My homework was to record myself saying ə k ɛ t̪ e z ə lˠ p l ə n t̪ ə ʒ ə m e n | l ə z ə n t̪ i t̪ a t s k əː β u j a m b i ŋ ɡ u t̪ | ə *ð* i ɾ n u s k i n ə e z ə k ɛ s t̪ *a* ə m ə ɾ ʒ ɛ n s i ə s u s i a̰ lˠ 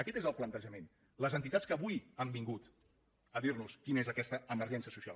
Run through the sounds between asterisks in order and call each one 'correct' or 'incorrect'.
correct, incorrect

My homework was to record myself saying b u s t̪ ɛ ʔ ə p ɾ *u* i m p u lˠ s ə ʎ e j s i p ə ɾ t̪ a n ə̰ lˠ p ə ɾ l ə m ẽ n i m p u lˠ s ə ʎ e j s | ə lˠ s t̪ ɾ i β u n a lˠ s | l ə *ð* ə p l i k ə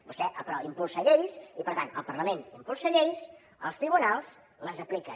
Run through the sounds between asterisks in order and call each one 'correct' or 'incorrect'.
incorrect, incorrect

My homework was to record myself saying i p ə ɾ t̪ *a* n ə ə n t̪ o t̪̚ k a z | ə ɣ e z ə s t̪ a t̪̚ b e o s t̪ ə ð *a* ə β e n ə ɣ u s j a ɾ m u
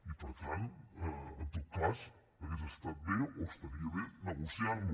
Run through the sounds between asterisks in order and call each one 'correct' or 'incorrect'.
correct, incorrect

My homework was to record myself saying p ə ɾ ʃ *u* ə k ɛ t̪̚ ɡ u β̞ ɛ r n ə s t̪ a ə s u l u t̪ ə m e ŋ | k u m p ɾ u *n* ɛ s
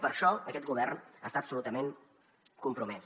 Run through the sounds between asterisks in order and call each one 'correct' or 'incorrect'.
incorrect, incorrect

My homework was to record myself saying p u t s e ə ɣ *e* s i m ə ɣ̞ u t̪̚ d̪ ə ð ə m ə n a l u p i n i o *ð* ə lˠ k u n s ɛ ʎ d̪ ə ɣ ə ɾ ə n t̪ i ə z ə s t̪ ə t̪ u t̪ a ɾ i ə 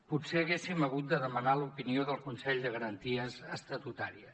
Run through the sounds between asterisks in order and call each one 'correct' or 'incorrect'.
correct, correct

